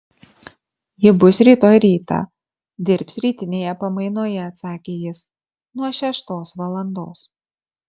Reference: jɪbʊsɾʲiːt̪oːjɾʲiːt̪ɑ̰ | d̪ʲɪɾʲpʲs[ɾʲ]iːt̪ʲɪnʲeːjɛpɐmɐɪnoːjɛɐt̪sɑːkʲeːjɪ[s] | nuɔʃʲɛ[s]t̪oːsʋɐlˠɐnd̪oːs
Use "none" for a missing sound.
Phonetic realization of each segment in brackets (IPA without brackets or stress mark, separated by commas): ɾʲ, s, ʃ